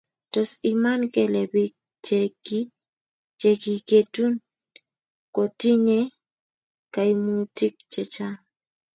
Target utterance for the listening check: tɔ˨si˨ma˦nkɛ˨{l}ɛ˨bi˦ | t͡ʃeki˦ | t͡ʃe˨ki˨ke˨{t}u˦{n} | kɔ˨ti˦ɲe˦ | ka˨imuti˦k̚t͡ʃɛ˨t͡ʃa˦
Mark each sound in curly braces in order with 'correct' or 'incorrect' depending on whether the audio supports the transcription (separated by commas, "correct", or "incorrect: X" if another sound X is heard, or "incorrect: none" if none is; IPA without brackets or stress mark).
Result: correct, correct, correct